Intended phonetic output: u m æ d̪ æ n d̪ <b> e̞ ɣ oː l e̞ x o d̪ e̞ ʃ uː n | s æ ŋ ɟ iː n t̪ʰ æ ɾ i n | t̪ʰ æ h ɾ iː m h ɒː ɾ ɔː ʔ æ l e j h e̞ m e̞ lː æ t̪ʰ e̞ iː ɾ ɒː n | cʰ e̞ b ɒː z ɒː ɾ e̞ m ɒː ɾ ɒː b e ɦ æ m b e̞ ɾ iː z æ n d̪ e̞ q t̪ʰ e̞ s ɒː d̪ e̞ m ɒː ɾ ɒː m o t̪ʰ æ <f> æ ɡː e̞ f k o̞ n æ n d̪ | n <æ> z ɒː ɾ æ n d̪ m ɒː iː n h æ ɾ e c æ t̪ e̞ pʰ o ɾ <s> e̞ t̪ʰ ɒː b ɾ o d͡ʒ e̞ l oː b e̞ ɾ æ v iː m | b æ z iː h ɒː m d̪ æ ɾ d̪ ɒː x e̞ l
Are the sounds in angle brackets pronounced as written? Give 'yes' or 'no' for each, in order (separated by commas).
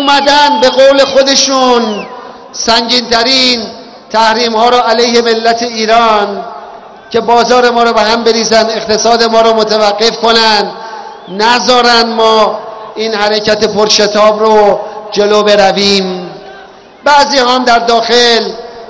yes, no, yes, no